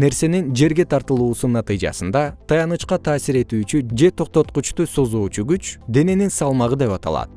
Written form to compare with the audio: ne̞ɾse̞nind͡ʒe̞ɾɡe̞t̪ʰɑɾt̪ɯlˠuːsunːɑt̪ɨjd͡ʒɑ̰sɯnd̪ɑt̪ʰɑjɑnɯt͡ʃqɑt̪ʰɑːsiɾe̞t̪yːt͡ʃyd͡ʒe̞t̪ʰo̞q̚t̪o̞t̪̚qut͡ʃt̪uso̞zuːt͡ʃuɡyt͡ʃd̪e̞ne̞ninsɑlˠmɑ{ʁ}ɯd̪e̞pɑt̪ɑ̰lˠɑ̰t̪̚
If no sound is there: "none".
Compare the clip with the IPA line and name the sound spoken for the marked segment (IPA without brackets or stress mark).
ʁ